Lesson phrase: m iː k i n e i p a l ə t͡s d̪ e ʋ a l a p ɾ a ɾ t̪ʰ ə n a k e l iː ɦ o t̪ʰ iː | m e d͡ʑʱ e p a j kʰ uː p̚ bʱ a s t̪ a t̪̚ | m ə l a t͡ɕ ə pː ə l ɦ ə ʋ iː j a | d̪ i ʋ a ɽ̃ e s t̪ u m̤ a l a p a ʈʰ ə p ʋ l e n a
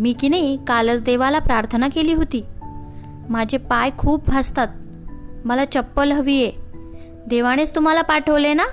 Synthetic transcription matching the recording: m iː k i n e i k a l ə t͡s d̪ e ʋ a l a p ɾ a ɾ t̪ʰ ə n a k e l iː ɦ o t̪ iː | m a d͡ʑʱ e p a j kʰ uː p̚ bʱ a s t̪ a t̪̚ | m ə l a t͡ɕ ə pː ə l ɦ ə ʋ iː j e | d̪ e ʋ a ɽ̃ e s t̪ u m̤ a l a p a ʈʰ ə ʋ l e n a